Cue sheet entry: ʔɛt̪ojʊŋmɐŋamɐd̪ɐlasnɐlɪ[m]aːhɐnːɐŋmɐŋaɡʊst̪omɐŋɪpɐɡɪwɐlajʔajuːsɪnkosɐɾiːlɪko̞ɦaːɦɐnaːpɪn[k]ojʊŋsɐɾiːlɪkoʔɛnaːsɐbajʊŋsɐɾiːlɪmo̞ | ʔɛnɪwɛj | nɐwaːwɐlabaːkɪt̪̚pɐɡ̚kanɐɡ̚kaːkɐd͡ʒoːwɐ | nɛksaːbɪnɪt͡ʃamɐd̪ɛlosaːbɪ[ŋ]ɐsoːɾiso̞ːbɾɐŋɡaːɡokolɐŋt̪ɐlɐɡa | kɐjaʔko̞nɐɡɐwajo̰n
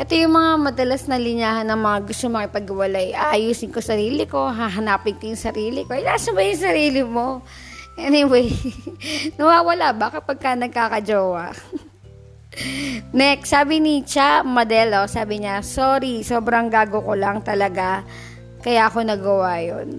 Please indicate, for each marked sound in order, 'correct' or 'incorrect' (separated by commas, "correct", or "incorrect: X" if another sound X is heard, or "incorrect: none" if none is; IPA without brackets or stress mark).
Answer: incorrect: ɲ, correct, incorrect: ɲ